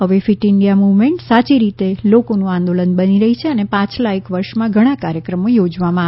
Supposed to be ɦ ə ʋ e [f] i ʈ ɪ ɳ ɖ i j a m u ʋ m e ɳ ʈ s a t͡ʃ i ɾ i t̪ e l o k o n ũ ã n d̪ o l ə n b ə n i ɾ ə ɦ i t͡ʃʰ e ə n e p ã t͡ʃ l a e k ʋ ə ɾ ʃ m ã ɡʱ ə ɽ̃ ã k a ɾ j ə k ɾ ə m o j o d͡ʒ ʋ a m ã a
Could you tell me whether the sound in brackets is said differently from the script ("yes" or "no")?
no